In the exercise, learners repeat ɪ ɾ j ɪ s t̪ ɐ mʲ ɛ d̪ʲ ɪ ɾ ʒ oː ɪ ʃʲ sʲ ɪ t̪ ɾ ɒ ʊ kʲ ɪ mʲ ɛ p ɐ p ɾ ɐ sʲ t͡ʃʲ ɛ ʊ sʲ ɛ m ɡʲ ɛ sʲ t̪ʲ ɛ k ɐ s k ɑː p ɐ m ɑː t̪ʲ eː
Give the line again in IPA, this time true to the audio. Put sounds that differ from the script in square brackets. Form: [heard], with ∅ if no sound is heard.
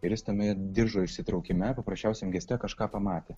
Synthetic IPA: ɪ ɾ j ɪ s t̪ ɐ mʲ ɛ d̪ʲ ɪ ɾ ʒ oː ɪ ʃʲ sʲ ɪ t̪ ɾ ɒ ʊ kʲ ɪ mʲ ɛ p ɐ p ɾ ɐ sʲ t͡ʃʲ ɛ ʊ sʲ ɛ m ɡʲ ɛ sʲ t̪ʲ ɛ k ɐ [ʃ] k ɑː p ɐ m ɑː t̪ʲ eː